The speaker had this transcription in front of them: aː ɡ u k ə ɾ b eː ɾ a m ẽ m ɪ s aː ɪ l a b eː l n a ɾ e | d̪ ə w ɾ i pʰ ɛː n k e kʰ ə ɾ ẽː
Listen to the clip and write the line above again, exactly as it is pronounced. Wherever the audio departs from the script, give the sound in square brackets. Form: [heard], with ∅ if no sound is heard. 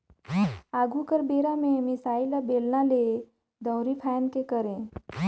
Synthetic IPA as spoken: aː ɡ u k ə ɾ b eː ɾ a m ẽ m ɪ s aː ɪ l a b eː l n a [l] e | d̪ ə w ɾ i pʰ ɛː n k e [k] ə ɾ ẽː